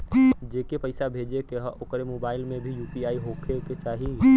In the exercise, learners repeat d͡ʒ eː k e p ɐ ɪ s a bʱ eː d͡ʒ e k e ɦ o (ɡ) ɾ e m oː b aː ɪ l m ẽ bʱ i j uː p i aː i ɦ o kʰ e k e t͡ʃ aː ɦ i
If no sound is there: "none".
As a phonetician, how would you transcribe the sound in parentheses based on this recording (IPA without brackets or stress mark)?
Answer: k